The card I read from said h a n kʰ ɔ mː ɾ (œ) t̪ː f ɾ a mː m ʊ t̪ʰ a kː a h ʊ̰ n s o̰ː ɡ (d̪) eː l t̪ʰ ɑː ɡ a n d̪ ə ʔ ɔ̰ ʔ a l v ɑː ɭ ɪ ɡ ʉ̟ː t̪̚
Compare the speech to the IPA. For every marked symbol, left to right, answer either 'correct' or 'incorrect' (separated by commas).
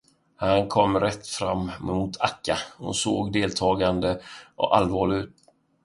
incorrect, correct